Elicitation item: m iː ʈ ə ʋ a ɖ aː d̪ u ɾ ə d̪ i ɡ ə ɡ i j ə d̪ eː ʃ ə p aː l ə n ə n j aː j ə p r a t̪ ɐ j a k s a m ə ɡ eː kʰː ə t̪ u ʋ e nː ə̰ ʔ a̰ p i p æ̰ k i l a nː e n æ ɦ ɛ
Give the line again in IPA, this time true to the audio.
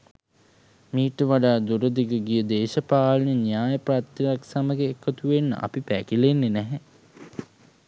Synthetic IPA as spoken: m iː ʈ ə ʋ a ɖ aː d̪ u ɾ ə d̪ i ɡ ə ɡ i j ə d̪ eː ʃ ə p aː l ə n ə n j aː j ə p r a t̪ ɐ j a k s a m ə ɡ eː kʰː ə t̪ u ʋ e nː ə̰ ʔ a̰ p i p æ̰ k i l e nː e n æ ɦ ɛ